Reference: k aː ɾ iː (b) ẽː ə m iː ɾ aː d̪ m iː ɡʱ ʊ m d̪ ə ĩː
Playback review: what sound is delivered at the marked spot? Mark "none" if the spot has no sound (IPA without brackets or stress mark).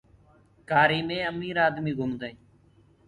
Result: m